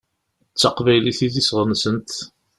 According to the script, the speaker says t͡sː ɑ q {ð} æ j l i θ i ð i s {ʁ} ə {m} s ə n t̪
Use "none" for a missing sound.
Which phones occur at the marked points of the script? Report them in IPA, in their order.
v, ʁ, n

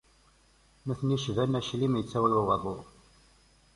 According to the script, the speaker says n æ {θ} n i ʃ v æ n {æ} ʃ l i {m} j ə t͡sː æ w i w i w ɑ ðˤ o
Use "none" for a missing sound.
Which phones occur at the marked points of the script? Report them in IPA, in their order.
θ, æ, m

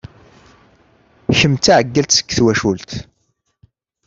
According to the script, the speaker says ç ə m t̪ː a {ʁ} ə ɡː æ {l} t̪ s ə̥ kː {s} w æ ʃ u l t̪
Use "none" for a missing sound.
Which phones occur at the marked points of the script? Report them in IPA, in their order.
ʕ, l, θ

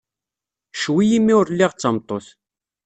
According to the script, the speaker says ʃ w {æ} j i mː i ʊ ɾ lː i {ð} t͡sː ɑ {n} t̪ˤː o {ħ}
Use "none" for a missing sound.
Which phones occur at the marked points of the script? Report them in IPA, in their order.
i, ʁ, m, θ

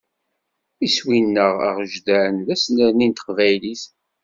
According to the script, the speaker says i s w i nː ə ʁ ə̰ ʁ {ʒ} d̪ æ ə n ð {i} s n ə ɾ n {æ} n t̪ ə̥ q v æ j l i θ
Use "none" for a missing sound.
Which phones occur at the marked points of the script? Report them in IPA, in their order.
ʒ, æ, i

